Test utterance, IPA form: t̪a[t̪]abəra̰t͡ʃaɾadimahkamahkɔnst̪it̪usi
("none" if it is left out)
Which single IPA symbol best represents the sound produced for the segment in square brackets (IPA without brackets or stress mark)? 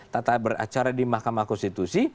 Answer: t̪